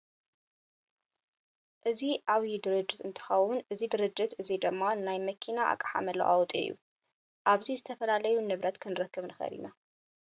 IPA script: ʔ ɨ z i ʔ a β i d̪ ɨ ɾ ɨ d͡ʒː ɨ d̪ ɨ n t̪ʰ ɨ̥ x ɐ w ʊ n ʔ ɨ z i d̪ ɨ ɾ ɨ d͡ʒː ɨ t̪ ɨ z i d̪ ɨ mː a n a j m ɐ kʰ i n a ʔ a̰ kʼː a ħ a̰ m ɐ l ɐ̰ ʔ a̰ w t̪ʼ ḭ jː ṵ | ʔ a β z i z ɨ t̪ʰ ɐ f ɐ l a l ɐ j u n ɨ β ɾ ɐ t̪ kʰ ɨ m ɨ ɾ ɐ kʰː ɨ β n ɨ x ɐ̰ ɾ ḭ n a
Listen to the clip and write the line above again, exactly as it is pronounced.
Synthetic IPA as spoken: ʔ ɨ z i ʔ a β i d̪ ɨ ɾ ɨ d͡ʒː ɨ t̪ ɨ n t̪ʰ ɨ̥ x ɐ w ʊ n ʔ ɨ z i d̪ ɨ ɾ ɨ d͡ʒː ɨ t̪ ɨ z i d̪ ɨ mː a n a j m ɐ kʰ i n a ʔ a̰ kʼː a ħ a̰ m ɐ l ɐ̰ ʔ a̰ w t̪ʼ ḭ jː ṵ | ʔ a β z i z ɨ t̪ʰ ɐ f ɐ l a l ɐ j u n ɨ β ɾ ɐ t̪ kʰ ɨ n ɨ ɾ ɐ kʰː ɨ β n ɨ x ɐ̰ ɾ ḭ n a